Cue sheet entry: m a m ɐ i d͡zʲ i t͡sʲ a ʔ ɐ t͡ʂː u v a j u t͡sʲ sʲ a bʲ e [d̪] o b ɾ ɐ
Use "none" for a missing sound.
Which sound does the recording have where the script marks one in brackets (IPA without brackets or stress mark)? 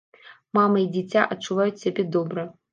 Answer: d̪